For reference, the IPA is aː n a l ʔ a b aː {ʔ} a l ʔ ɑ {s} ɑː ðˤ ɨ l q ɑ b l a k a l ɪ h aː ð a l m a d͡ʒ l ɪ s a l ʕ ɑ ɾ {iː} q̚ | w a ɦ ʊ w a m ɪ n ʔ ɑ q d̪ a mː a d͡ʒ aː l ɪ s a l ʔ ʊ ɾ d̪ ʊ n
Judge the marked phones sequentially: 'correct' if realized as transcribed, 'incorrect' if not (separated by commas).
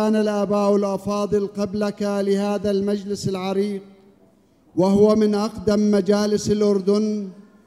correct, incorrect, correct